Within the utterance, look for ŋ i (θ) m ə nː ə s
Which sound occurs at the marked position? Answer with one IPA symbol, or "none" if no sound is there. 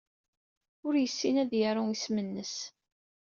s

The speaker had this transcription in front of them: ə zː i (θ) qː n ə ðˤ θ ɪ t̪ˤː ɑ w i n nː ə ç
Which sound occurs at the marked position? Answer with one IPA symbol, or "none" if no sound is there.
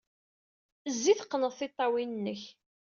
θ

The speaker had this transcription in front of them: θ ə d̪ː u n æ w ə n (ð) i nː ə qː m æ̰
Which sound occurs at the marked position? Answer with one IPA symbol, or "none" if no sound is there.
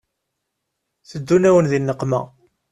ð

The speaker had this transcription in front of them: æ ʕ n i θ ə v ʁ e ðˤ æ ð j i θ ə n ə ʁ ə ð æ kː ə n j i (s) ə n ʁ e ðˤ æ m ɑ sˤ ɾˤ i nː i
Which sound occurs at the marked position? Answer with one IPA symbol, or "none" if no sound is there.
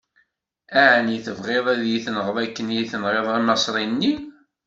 θ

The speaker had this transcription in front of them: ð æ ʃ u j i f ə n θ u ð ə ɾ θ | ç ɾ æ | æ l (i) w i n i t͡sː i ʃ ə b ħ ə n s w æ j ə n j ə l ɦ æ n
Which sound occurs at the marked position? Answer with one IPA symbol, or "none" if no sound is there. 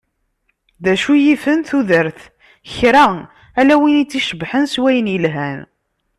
æ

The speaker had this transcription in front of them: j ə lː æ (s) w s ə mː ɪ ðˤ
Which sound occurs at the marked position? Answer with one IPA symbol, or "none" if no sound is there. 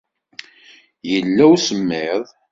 none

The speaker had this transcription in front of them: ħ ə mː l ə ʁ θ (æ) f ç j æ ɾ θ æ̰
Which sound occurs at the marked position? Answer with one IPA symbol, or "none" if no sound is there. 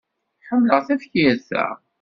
æ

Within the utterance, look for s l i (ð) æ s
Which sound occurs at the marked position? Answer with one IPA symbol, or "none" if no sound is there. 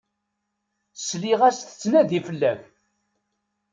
ʁ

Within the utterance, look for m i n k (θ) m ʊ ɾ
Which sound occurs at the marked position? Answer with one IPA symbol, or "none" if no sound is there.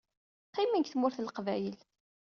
θ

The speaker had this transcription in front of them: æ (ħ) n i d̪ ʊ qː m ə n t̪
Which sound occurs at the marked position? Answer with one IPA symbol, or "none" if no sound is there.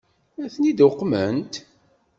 θ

